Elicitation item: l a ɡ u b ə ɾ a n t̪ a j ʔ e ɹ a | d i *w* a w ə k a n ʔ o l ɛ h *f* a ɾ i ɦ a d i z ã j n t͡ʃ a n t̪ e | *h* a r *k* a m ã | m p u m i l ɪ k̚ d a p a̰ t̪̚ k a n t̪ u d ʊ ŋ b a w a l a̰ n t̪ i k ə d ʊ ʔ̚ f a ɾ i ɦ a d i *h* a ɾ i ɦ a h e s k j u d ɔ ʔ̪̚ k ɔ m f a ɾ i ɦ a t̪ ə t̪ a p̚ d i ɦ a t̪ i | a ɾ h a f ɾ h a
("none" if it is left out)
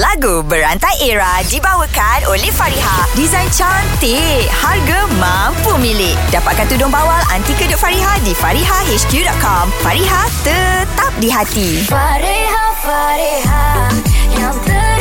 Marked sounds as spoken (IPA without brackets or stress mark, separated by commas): b, f, h, ɡ, f